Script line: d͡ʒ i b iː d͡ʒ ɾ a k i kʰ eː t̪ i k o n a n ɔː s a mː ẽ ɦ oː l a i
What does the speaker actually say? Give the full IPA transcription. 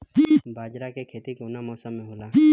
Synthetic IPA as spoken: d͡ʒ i b aː d͡ʒ ɾ a k e kʰ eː t̪ i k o n a m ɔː s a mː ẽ ɦ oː l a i

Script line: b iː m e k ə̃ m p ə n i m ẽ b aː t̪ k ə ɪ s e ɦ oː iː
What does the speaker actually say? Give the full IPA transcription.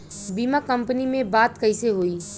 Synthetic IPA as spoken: b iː m a k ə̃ m p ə n i m ẽ b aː t̪ k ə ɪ s e ɦ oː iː

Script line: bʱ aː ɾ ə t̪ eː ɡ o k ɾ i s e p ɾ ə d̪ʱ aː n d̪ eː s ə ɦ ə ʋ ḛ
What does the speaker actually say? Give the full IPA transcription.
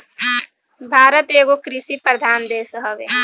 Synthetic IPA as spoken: bʱ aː ɾ ə t̪ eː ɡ o k ɾ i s i p ɾ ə d̪ʱ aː n d̪ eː s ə ɦ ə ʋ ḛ

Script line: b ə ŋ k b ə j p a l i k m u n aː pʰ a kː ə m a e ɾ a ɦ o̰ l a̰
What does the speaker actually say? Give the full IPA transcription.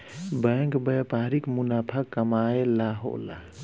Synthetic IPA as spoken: b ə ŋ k b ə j p a ɾ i k m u n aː pʰ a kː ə m a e l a ɦ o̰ l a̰

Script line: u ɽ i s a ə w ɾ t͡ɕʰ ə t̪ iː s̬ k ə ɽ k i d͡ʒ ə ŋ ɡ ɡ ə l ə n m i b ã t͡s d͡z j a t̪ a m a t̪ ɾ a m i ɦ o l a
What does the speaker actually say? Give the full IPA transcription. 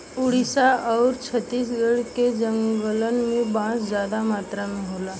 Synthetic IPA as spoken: u ɽ i s a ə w ɾ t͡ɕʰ ə t̪ iː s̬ ɡ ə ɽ k e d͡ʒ ə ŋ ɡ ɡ ə l ə n m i b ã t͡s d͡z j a d̪ a m a t̪ ɾ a m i ɦ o l a

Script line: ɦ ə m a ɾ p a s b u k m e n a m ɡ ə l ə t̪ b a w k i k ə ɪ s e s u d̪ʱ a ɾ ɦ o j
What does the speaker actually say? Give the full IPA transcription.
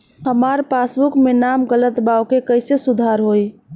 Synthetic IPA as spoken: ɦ ə m a ɾ p a s b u k m e n a m ɡ ə l ə t̪ b a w k e k ə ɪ s e s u d̪ʱ a ɾ ɦ o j

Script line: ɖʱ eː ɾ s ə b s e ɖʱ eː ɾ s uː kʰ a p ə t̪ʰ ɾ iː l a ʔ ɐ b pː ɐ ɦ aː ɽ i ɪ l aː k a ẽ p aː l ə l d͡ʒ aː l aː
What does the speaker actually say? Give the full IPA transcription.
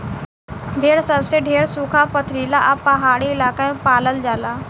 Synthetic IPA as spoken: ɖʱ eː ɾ s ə b s e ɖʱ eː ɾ s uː kʰ a p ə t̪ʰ ɾ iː l a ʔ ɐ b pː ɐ ɦ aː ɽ i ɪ l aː k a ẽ p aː l ə l d͡ʒ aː l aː

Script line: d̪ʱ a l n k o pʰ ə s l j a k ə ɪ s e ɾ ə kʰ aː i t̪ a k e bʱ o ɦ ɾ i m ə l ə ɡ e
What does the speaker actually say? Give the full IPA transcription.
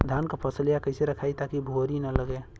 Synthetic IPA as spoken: d̪ʱ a n k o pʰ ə s l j a k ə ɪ s e ɾ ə kʰ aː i t̪ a k i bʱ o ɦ ɾ i n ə l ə ɡ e

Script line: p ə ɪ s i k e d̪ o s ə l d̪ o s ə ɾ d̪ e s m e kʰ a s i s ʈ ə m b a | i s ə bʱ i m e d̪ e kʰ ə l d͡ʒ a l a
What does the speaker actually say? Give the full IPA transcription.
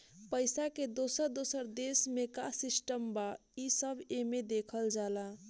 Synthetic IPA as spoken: p ə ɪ s a k e d̪ o s ə ɾ d̪ o s ə ɾ d̪ e s m e k a s i s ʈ ə m b a | i s ə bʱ e m e d̪ e kʰ ə l d͡ʒ a l a

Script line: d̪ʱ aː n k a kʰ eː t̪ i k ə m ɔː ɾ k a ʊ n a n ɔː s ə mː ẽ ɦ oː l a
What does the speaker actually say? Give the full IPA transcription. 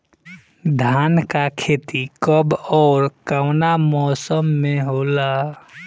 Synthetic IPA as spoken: d̪ʱ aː n k a kʰ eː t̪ i k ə b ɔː ɾ k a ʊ n a m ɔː s ə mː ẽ ɦ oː l a

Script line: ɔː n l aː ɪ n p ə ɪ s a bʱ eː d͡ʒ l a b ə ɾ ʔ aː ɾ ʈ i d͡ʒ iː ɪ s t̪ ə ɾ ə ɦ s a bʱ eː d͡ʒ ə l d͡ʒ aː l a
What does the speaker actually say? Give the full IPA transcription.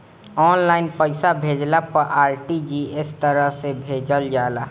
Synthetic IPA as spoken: ɔː n l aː ɪ n p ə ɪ s a bʱ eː d͡ʒ l a p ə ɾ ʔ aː ɾ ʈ i d͡ʒ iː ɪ s t̪ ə ɾ ə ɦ s e bʱ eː d͡ʒ ə l d͡ʒ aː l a

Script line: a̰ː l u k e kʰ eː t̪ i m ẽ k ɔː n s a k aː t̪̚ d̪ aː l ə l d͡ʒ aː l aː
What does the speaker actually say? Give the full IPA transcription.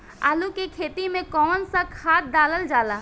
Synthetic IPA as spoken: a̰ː l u k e kʰ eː t̪ i m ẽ k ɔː n s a kʰ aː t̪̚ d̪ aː l ə l d͡ʒ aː l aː

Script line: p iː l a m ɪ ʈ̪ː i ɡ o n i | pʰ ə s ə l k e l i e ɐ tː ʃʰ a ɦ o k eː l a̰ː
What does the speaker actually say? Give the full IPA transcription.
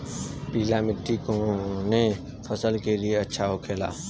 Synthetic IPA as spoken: p iː l a m ɪ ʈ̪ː i k o n e | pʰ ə s ə l k e l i e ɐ tː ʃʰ a ɦ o kʰ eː l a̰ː

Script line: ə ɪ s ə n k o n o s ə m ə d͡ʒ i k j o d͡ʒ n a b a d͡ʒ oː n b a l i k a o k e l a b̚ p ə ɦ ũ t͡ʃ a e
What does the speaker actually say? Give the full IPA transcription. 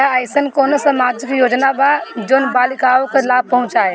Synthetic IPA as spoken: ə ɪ s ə n k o n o s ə m a d͡ʒ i k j o d͡ʒ n a b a d͡ʒ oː n b a l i k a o k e l a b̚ p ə ɦ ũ t͡ʃ a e

